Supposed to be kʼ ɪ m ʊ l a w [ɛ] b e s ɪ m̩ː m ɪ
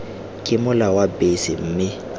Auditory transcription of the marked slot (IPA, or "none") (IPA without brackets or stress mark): a